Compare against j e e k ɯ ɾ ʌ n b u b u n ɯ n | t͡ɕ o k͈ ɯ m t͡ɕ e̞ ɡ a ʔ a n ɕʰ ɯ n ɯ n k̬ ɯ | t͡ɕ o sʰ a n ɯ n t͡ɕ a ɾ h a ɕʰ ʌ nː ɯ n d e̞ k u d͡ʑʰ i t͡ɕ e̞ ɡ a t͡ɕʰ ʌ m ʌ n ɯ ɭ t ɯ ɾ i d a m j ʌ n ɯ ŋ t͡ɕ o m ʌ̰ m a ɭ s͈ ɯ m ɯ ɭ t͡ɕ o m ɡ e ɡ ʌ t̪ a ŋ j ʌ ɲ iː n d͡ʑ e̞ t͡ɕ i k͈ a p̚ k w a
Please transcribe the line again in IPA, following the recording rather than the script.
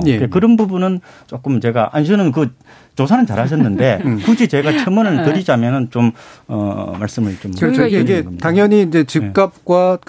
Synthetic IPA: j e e k ɯ ɾ ʌ n b u b u n ɯ n | t͡ɕ o k͈ ɯ m t͡ɕ e̞ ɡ a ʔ a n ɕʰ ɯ n ɯ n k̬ ɯ | t͡ɕ o sʰ a n ɯ n t͡ɕ a ɾ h a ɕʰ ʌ nː ɯ n d e̞ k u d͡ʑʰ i t͡ɕ e̞ ɡ a t͡ɕʰ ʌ m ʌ n ɯ ɭ t ɯ ɾ i d͡ʑ a m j ʌ n ɯ n t͡ɕ o m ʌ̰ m a ɭ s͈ ɯ m ɯ ɭ t͡ɕ o m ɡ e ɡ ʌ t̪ a ŋ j ʌ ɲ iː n d͡ʑ e̞ t͡ɕ i k͈ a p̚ k w a